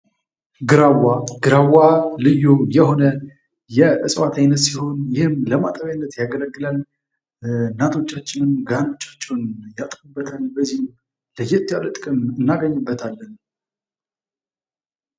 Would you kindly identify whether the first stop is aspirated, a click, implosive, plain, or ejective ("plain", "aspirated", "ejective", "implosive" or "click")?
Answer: plain